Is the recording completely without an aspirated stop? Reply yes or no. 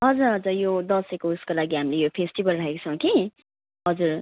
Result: no